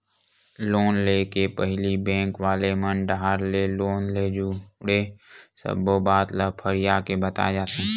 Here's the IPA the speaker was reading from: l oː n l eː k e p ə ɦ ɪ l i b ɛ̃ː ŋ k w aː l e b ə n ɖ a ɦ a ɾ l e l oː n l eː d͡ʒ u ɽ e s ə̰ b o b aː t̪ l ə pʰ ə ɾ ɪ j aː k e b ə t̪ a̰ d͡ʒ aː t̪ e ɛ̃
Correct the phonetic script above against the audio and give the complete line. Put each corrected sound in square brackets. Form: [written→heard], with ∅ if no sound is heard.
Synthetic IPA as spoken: l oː n l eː k e p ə ɦ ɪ l i b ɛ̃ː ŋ k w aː l e [b→m] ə n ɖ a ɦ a ɾ l e l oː n l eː d͡ʒ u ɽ e s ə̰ b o b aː t̪ l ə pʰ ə ɾ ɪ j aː k e b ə t̪ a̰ d͡ʒ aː t̪ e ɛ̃